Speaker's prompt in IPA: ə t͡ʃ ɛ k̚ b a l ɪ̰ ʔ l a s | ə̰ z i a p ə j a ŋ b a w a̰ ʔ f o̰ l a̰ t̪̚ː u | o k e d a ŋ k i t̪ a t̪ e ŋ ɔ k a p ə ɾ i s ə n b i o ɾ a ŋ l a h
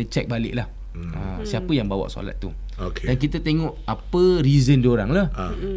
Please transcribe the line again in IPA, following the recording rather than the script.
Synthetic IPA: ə t͡ʃ ɛ k̚ b a l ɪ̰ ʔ l a h | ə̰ s i a p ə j a ŋ b a w a̰ ʔ s o̰ l a̰ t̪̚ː u | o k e d a n k i t̪ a t̪ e ŋ ɔ ʔ a p ə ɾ i z ə n d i o ɾ a ŋ l a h